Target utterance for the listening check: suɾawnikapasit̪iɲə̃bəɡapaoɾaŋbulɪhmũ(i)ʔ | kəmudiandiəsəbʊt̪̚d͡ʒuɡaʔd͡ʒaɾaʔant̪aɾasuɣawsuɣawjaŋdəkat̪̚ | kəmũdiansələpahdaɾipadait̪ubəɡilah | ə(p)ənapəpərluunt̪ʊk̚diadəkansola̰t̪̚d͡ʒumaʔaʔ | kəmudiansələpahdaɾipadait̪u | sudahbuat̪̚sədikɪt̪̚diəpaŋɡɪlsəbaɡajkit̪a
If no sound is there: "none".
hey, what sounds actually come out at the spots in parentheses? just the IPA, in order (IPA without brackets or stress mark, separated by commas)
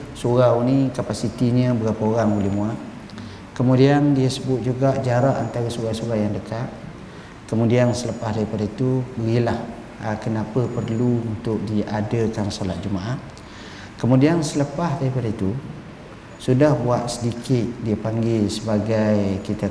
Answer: a, k